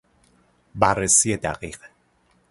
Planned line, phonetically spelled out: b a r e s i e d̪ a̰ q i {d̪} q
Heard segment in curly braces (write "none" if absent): none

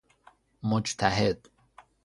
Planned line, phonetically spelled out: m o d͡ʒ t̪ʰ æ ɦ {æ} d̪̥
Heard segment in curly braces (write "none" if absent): e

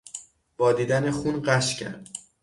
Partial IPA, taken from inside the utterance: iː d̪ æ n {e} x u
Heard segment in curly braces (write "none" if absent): e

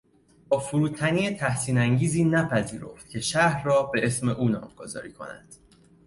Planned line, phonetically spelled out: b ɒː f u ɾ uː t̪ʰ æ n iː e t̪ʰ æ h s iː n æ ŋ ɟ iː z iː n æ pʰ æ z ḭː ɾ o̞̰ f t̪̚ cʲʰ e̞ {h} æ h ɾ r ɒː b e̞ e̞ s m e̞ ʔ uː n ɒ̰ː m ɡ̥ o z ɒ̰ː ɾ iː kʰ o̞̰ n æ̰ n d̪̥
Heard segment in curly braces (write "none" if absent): ʃ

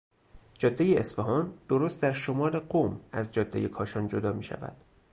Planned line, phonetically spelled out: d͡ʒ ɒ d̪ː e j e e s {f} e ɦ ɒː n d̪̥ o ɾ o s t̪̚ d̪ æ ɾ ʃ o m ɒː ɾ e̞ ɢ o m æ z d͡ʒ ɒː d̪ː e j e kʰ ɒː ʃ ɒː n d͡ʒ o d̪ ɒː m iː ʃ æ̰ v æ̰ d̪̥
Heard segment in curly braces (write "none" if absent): f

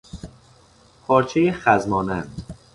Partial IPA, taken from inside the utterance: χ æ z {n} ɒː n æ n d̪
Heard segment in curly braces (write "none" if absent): m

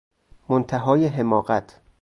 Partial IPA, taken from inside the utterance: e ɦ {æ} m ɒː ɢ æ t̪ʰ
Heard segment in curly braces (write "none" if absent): e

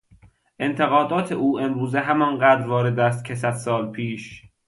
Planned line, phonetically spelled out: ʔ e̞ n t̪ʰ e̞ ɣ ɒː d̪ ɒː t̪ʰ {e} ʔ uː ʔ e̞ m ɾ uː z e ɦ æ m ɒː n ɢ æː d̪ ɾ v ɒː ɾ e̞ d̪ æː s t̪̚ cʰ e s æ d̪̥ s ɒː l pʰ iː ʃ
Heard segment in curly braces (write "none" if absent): e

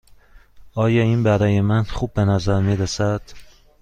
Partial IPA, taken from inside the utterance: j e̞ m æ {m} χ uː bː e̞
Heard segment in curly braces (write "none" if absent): n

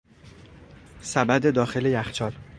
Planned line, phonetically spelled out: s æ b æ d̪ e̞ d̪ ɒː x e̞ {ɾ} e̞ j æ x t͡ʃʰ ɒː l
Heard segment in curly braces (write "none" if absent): l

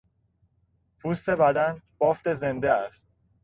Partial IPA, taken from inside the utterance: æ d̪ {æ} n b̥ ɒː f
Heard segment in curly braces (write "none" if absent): æ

